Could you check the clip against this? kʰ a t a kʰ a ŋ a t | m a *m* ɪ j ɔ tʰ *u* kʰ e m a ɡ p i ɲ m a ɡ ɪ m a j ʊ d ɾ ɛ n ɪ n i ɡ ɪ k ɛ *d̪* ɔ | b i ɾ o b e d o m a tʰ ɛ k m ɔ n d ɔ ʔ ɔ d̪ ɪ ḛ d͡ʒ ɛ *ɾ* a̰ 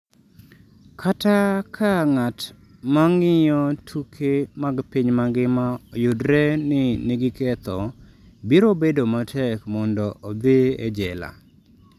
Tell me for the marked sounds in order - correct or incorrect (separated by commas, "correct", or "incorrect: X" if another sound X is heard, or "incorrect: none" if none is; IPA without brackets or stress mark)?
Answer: incorrect: ŋ, correct, incorrect: t̪, incorrect: l